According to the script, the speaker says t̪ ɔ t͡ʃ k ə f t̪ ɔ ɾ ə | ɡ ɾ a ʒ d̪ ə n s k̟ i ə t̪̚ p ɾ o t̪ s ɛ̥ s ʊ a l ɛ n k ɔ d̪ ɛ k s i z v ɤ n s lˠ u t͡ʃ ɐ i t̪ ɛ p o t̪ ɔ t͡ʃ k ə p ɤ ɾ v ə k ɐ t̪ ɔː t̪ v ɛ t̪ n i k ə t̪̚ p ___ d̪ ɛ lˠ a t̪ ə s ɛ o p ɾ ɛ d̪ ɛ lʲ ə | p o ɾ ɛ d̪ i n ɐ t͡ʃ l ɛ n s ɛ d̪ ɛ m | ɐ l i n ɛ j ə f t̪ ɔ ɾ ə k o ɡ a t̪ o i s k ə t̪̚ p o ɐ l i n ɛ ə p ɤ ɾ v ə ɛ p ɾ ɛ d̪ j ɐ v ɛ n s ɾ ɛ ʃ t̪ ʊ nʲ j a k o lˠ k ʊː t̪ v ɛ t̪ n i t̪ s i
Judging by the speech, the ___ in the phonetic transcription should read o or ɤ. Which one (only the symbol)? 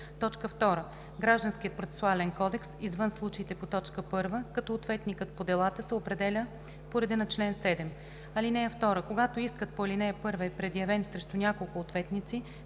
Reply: o